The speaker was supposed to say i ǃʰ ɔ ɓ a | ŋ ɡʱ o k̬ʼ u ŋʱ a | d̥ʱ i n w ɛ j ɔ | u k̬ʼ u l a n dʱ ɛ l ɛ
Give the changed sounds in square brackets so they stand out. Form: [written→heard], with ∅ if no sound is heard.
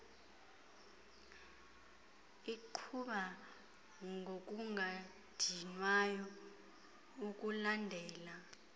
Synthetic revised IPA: i ǃʰ [ɔ→u] ɓ a | ŋ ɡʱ o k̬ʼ u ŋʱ a | d̥ʱ i n w [ɛ→a] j ɔ | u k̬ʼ u l a n dʱ [ɛ→ɛː] l [ɛ→a]